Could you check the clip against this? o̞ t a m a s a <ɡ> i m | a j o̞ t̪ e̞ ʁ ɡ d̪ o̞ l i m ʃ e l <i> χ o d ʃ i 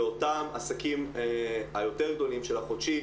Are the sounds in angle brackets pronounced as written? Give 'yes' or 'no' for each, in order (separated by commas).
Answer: no, no